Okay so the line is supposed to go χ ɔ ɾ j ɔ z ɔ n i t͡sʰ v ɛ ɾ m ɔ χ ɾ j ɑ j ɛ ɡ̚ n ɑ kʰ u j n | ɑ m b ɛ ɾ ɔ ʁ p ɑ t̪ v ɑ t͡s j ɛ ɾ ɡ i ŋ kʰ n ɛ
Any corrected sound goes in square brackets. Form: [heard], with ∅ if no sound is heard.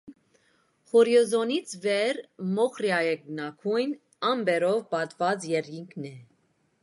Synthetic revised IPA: χ ɔ ɾ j ɔ z ɔ n i t͡sʰ v ɛ ɾ m ɔ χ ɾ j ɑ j ɛ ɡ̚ n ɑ kʰ u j n | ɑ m b ɛ ɾ ɔ [v] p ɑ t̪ v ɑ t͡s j ɛ ɾ ɡ i ŋ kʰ n ɛ

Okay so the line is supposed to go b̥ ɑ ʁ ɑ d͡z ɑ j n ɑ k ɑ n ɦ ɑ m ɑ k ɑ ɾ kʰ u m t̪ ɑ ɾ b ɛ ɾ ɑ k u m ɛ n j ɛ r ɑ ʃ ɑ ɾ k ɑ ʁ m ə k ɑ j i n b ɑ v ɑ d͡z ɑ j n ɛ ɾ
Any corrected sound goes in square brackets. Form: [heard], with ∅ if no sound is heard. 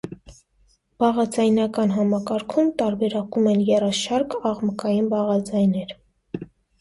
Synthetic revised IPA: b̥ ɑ ʁ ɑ d͡z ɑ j n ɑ k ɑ n ɦ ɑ m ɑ k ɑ ɾ kʰ u m t̪ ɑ ɾ b ɛ ɾ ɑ k u m ɛ n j ɛ r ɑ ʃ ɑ ɾ k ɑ ʁ m ə k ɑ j i n b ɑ [ʁ] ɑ d͡z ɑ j n ɛ ɾ

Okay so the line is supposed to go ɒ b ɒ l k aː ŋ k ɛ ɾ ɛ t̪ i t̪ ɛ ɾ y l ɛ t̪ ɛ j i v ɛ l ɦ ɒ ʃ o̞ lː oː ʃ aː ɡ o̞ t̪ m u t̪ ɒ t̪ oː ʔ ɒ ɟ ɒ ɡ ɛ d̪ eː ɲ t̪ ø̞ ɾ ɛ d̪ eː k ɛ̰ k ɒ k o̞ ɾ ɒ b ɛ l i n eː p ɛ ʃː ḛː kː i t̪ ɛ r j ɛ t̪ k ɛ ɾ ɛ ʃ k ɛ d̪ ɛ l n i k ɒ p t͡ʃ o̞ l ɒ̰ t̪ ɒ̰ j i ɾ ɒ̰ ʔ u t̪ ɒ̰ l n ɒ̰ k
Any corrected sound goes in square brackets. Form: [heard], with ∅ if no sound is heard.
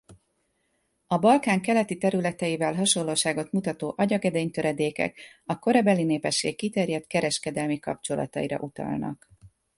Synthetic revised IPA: ɒ b ɒ l k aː ŋ k ɛ [l] ɛ t̪ i t̪ ɛ ɾ y l ɛ t̪ ɛ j i v ɛ l ɦ ɒ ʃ o̞ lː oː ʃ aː ɡ o̞ t̪ m u t̪ ɒ t̪ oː ʔ ɒ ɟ ɒ ɡ ɛ d̪ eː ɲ t̪ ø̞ ɾ ɛ d̪ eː k ɛ̰ k ɒ k o̞ ɾ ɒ b ɛ l i n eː p ɛ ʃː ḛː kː i t̪ ɛ r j ɛ t̪ k ɛ ɾ ɛ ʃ k ɛ d̪ ɛ l [m] i k ɒ p t͡ʃ o̞ l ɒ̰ t̪ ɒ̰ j i ɾ ɒ̰ ʔ u t̪ ɒ̰ l n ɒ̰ k

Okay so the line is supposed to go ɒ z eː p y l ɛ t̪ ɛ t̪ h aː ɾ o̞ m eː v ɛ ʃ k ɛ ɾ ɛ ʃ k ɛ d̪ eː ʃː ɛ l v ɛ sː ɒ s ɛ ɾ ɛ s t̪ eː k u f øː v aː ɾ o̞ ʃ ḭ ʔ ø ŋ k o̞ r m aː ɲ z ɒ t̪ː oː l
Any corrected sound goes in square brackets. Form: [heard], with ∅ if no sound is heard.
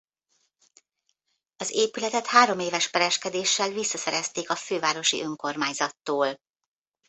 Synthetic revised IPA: ɒ z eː p y l ɛ t̪ ɛ t̪ h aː ɾ o̞ m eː v ɛ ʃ [p] ɛ ɾ ɛ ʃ k ɛ d̪ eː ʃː ɛ l v [i] sː ɒ s ɛ ɾ ɛ s t̪ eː k [ɒ] f øː v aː ɾ o̞ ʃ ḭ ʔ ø ŋ k o̞ r m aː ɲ z ɒ t̪ː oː l

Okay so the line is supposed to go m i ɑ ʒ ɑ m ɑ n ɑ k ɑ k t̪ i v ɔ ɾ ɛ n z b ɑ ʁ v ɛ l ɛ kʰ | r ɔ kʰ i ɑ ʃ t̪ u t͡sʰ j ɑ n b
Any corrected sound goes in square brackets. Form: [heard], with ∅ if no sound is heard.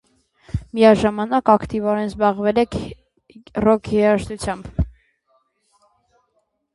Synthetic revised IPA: m i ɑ ʒ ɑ m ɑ n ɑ k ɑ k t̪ i v ɔ ɾ ɛ n z b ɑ ʁ v ɛ l ɛ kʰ | r ɔ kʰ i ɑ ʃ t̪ u t͡sʰ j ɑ [m] b

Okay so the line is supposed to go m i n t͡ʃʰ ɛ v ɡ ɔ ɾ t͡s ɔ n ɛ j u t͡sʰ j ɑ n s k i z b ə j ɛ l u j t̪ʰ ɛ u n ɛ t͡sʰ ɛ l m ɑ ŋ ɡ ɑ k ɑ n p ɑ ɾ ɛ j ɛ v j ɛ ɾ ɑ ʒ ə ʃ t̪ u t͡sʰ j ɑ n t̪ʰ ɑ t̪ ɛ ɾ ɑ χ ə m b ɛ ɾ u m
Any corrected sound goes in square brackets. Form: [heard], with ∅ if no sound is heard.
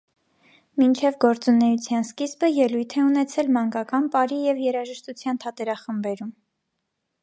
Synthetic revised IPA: m i n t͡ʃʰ ɛ v ɡ ɔ ɾ t͡s [u] n ɛ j u t͡sʰ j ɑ n s k i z b ə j ɛ l u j t̪ʰ ɛ u n ɛ t͡sʰ ɛ l m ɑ ŋ ɡ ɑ k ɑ n p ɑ ɾ [i] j ɛ v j ɛ ɾ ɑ ʒ ə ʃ t̪ u t͡sʰ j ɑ n t̪ʰ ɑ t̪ ɛ ɾ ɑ χ ə m b ɛ ɾ u m

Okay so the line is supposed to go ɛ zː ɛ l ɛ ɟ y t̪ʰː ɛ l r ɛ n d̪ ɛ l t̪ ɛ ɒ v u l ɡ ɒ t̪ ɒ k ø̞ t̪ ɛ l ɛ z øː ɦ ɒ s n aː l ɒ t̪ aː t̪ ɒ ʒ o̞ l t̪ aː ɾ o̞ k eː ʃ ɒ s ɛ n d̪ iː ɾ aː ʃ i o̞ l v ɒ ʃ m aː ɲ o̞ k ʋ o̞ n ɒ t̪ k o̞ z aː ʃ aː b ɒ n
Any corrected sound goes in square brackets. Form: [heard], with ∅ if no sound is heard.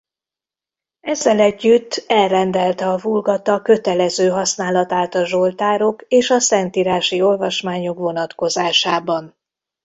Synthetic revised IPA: ɛ zː ɛ l ɛ [ɟː] y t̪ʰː ɛ l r ɛ n d̪ ɛ l t̪ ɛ ɒ v u l ɡ ɒ t̪ ɒ k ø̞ t̪ ɛ l ɛ z øː ɦ ɒ s n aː l ɒ t̪ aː t̪ ɒ ʒ o̞ l t̪ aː ɾ o̞ k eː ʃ ɒ s ɛ n [t̪] iː ɾ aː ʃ i o̞ l v ɒ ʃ m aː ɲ o̞ k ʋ o̞ n ɒ t̪ k o̞ z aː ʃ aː b ɒ n

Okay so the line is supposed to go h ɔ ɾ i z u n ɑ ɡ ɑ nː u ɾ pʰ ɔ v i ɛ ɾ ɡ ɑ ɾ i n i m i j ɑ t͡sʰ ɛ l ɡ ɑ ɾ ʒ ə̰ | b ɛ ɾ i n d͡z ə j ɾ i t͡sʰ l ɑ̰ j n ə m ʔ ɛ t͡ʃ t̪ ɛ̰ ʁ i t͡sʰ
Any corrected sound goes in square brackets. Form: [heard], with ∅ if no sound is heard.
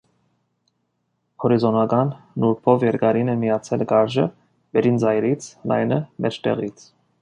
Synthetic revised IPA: h ɔ ɾ i z [ɔ] n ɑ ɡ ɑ nː u ɾ pʰ ɔ v [j] ɛ ɾ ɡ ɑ ɾ i n [ɛ] m i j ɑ t͡sʰ ɛ l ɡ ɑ ɾ ʒ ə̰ | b ɛ ɾ i n d͡z [ɑ] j ɾ i t͡sʰ l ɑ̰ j n ə m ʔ ɛ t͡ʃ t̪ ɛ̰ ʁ i t͡sʰ

